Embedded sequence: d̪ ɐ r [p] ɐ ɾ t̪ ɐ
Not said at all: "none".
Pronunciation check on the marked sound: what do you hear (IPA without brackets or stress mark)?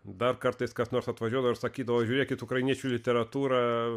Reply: k